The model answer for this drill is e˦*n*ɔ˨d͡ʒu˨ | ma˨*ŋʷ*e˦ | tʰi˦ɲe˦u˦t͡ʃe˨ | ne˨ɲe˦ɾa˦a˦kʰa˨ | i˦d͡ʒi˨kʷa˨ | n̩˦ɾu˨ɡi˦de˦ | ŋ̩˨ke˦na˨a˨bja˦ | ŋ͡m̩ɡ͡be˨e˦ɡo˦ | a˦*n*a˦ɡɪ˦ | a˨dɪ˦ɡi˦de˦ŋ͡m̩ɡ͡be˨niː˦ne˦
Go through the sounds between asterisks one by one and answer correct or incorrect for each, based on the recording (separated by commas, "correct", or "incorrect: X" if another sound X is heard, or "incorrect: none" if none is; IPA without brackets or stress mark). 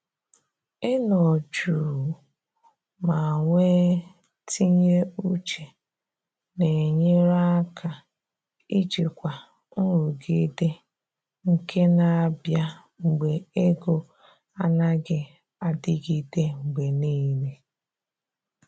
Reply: correct, correct, correct